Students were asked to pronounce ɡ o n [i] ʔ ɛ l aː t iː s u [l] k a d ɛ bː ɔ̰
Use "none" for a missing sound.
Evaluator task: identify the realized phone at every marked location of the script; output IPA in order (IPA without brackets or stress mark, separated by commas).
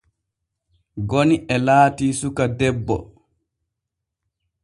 i, none